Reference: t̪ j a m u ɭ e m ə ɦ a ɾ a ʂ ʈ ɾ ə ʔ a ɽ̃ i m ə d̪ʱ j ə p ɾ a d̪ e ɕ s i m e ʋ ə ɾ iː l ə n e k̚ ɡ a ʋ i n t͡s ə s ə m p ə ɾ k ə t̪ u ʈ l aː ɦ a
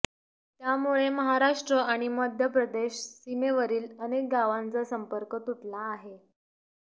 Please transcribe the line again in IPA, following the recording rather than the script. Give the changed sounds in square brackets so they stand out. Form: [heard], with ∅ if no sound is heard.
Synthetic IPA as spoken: t̪ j a m u ɭ e m ə ɦ a ɾ a ʂ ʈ ɾ ə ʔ a ɽ̃ i m ə d̪ʱ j ə p ɾ [ə] d̪ e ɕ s i m e ʋ ə ɾ iː l ə n e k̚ ɡ a ʋ [a] n t͡s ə s ə m p ə ɾ k ə t̪ u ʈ l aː ɦ [e]